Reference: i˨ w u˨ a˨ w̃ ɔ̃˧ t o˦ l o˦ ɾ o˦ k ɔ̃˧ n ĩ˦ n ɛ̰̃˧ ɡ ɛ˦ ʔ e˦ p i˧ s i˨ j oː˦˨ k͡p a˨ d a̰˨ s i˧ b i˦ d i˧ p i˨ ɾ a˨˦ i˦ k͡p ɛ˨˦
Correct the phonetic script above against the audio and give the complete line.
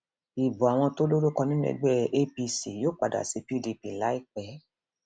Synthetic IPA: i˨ b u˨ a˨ w̃ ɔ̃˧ t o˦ l o˦ ɾ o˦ k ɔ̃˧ n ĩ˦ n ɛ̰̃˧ ɡ͡b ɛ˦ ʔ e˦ p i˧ s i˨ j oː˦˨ k͡p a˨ d a̰˨ s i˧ p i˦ d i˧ p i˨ l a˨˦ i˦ k͡p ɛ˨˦